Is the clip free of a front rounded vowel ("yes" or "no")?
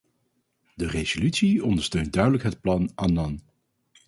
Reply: no